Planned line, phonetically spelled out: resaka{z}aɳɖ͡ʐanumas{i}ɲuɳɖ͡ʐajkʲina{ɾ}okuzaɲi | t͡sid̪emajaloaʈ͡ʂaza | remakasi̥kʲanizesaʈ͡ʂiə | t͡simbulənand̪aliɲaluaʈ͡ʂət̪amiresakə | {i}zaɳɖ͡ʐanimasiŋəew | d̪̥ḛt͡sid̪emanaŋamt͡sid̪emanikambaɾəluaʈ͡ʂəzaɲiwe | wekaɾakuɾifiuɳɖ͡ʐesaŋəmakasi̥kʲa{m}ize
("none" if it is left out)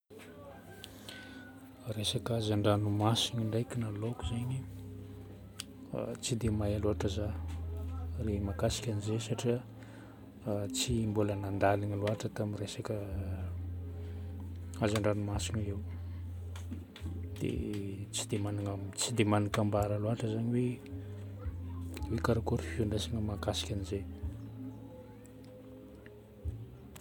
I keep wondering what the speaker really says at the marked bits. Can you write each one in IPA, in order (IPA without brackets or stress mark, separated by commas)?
z, i, l, a, n